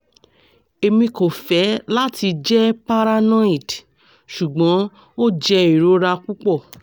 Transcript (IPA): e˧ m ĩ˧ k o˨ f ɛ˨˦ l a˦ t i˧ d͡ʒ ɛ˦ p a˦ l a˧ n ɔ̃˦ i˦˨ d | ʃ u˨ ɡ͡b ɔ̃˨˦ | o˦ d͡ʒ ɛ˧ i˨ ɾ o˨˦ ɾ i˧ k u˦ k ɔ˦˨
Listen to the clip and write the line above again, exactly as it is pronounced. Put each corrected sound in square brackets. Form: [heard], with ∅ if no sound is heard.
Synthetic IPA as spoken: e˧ m ĩ˧ k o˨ f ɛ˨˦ l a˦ t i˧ d͡ʒ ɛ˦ p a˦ [ɾ] a˧ n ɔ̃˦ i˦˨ d | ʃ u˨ ɡ͡b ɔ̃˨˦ | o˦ d͡ʒ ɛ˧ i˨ ɾ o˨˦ ɾ [a˧] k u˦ [k͡p] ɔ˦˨

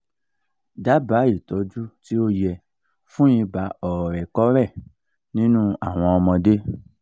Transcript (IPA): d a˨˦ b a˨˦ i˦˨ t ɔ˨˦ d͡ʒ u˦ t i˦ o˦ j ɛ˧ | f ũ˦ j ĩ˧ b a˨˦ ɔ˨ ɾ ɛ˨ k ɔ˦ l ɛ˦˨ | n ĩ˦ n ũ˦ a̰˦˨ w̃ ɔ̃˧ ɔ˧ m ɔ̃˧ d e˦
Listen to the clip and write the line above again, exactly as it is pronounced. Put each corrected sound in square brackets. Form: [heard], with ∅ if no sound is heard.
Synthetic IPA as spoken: d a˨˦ b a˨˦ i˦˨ t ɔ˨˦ d͡ʒ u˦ t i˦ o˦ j ɛ˧ | f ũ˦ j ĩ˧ b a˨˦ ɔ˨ ɾ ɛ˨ k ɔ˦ [ɾ] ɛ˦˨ | n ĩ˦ n ũ˦ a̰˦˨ w̃ ɔ̃˧ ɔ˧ m ɔ̃˧ d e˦

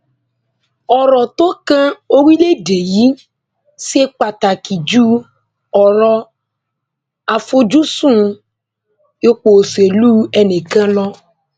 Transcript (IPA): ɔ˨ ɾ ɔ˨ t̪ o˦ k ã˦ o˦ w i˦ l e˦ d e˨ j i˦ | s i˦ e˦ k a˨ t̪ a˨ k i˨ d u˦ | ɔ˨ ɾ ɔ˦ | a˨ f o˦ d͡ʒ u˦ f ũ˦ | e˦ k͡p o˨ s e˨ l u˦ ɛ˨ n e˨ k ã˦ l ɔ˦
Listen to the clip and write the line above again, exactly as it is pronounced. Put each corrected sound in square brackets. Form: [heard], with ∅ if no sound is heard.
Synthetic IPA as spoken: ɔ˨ ɾ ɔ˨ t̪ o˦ k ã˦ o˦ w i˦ l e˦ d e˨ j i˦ | s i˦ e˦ [k͡p] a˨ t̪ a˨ k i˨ [d͡ʒ] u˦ | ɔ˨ ɾ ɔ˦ | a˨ f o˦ d͡ʒ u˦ [s] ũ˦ | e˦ k͡p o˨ s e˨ l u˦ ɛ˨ n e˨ k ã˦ l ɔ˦

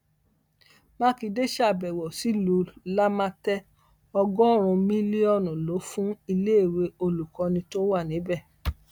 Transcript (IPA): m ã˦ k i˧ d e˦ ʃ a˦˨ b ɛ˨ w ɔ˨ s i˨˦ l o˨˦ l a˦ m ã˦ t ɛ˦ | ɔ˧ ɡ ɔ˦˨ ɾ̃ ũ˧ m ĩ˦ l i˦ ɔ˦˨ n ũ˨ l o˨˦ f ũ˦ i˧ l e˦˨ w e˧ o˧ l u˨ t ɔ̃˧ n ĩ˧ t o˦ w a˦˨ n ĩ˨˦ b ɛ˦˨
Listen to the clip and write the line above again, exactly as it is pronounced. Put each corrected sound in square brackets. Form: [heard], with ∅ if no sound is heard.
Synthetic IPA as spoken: m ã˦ k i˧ d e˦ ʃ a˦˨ b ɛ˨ w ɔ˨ s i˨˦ l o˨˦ l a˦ m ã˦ t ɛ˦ | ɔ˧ ɡ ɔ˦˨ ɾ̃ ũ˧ m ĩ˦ l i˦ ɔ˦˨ n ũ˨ l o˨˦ f ũ˦ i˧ l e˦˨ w e˧ o˧ l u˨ [k] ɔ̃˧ n ĩ˧ t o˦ w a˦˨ n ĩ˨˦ b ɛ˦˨

